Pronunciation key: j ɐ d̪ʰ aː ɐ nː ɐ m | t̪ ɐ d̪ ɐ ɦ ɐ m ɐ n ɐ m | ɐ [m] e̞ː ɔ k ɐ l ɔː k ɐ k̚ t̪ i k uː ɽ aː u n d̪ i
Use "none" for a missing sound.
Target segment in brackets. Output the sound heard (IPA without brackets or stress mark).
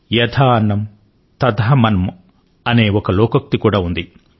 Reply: n